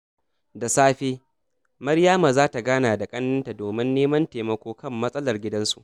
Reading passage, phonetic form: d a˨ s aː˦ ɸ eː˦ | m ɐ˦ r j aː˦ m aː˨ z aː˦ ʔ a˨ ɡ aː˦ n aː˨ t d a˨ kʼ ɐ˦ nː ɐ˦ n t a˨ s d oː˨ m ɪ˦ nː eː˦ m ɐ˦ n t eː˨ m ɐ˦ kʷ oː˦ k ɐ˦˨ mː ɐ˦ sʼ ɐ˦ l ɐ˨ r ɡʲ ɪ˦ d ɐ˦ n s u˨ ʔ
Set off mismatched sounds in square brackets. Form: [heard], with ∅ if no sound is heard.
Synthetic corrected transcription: d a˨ s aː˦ ɸ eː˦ | m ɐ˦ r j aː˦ m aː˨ z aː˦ [t] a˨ ɡ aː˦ n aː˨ [∅] d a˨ kʼ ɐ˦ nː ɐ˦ n t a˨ [∅] d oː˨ m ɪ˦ nː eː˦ m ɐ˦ n t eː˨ m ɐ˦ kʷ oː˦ k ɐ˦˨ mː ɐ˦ sʼ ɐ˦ l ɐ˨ r ɡʲ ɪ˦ d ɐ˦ n s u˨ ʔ